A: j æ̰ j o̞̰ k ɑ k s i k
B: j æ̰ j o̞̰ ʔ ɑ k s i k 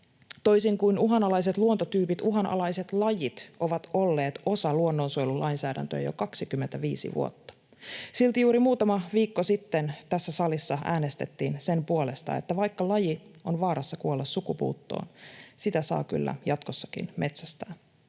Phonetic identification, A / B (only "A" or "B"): A